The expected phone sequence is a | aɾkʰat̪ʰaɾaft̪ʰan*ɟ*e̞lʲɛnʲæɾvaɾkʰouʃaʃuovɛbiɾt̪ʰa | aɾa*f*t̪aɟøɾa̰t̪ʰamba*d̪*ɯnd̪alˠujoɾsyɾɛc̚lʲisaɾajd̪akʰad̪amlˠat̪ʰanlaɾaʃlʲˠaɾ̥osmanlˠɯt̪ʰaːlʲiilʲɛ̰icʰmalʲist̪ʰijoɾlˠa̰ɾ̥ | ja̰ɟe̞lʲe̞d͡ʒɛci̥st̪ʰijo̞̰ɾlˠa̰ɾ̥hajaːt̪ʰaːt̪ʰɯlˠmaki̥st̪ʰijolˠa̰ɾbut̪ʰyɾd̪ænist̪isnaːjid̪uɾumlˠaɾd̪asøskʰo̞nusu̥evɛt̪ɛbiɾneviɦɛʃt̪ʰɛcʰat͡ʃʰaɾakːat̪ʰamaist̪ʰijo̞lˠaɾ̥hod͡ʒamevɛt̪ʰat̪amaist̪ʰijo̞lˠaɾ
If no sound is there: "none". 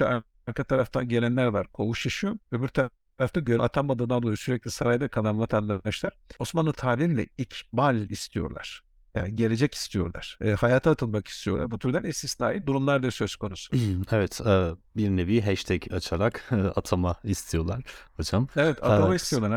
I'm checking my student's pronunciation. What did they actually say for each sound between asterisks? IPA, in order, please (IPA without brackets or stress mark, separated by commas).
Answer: ɟ, f, d̪